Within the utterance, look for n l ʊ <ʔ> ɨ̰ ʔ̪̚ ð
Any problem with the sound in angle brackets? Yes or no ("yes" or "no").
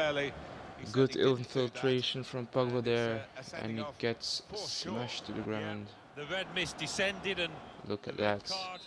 yes